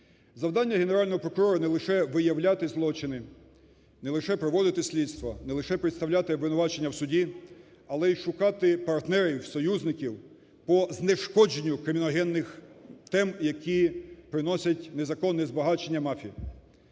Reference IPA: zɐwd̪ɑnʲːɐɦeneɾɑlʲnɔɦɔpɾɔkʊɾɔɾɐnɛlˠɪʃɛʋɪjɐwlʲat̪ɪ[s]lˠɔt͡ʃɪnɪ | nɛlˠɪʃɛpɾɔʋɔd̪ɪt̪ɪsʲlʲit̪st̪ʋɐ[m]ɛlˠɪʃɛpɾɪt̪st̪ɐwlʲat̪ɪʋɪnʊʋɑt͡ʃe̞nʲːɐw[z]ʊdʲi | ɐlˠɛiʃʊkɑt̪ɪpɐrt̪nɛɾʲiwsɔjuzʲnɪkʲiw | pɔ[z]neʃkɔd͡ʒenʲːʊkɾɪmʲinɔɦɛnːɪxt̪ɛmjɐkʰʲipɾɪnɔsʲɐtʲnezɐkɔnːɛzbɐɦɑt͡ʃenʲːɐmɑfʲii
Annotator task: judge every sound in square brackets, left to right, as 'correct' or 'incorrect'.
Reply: incorrect: z, incorrect: n, incorrect: s, correct

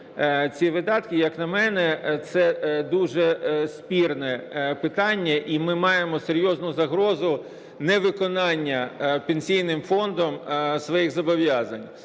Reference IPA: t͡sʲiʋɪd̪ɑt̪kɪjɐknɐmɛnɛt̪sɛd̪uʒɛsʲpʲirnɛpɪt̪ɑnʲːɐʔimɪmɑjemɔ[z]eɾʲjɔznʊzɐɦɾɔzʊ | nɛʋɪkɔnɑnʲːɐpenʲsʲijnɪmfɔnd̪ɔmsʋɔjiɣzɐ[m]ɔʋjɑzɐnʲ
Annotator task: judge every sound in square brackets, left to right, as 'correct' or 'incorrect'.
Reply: incorrect: s, incorrect: b

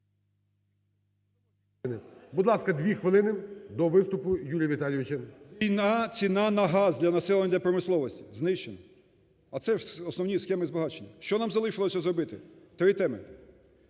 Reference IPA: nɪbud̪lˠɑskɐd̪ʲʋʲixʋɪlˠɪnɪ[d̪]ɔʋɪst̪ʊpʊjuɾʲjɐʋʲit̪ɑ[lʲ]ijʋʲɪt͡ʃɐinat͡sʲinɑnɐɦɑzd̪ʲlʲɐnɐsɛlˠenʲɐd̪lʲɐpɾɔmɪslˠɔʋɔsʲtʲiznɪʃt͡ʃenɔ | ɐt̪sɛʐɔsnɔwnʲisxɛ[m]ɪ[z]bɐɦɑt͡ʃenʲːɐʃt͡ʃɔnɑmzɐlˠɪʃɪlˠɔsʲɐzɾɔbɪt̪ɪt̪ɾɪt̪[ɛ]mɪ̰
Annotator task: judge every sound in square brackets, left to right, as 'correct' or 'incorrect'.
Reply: correct, correct, correct, correct, correct

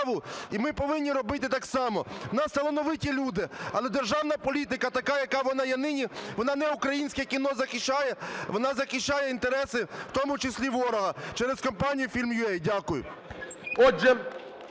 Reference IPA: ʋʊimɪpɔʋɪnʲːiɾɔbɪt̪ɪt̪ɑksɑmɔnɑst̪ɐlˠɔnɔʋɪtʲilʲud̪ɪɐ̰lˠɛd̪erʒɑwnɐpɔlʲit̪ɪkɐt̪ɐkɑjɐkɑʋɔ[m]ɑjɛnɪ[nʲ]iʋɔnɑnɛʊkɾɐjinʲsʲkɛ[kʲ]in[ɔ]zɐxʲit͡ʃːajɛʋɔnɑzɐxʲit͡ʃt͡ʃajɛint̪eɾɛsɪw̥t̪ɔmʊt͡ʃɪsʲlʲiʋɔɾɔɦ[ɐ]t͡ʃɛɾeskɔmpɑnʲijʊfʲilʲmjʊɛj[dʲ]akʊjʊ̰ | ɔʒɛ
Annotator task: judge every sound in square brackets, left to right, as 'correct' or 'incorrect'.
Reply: incorrect: n, correct, correct, correct, correct, correct

